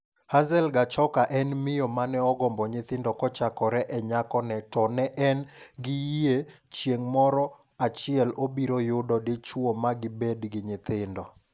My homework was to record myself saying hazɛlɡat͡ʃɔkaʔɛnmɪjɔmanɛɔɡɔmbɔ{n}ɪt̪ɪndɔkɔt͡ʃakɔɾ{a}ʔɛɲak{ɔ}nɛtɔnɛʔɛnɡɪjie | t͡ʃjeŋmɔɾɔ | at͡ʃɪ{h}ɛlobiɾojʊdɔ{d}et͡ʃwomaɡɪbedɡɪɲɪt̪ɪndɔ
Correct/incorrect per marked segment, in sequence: incorrect: ɲ, incorrect: ɛ, correct, incorrect: none, correct

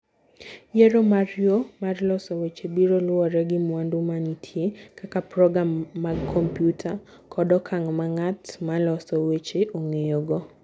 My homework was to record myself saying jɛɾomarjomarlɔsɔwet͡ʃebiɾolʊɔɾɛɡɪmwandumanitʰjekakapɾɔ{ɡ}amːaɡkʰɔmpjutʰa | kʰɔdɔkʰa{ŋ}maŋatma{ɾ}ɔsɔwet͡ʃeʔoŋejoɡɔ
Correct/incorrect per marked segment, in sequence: correct, correct, incorrect: l

